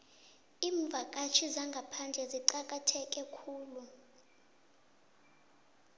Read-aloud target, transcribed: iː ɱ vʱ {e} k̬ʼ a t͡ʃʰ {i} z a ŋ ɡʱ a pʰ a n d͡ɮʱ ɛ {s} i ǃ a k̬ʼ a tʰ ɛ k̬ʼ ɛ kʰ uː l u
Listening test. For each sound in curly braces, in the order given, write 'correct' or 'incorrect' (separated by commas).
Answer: incorrect, correct, incorrect